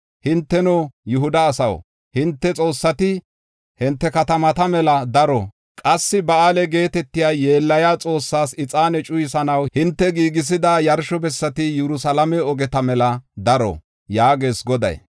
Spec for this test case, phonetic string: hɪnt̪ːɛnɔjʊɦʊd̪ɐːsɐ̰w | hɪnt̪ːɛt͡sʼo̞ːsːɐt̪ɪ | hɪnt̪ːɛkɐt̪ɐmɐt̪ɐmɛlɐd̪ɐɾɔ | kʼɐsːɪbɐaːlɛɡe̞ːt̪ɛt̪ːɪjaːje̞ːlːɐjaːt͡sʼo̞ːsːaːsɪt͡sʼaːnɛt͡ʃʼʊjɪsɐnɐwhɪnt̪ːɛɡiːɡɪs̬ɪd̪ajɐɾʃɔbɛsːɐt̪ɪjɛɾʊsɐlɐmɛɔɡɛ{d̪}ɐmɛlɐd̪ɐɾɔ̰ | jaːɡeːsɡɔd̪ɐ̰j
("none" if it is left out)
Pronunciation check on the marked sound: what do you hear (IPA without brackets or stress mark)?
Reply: t̪